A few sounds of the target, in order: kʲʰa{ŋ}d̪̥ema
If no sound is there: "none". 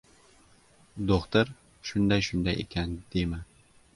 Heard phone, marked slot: n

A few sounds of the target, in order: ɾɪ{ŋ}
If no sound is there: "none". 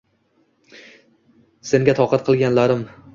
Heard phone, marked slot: m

